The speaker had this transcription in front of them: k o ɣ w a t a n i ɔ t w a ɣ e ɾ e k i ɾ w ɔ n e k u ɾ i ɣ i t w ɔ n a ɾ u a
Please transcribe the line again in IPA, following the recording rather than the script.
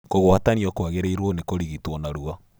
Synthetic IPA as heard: k o ɣ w a t a n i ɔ k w a ɣ e ɾ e i ɾ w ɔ n e k o ɾ i ɣ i t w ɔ n a ɾ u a